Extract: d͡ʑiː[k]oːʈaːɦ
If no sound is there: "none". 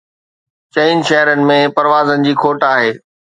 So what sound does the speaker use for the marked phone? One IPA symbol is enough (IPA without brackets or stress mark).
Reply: kʰ